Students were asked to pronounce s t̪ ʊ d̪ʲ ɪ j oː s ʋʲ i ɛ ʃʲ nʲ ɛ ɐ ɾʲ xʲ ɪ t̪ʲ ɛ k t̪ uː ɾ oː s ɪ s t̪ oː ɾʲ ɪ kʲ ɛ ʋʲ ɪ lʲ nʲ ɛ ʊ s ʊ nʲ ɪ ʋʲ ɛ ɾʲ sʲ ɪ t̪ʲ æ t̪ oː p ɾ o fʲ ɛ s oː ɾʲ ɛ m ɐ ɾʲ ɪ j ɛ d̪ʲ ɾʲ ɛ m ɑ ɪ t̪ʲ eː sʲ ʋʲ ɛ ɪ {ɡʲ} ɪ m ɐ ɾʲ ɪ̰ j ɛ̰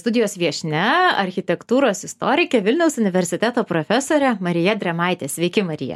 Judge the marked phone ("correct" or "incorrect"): incorrect